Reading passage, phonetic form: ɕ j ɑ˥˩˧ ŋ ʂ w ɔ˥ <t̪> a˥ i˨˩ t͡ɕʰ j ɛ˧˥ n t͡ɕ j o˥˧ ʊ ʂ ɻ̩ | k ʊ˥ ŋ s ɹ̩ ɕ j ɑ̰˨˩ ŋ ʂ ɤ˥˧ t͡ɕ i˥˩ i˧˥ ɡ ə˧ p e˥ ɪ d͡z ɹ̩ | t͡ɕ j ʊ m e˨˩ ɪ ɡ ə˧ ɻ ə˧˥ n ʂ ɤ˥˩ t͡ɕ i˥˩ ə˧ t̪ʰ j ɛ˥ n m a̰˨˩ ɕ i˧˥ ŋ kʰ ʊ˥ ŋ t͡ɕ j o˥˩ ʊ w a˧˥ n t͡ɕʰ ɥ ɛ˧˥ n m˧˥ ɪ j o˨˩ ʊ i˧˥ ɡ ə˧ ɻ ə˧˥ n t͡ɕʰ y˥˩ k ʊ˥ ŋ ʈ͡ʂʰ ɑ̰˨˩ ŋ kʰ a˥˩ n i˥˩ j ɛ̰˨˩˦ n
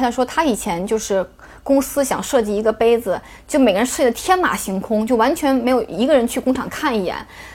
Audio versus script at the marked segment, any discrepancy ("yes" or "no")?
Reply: yes